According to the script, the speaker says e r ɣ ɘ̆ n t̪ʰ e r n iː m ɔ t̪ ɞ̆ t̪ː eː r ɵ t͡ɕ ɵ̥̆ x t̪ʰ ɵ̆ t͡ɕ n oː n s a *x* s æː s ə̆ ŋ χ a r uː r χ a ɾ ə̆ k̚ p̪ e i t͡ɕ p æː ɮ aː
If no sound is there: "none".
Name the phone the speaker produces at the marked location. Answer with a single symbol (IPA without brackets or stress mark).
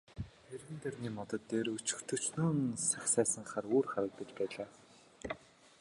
x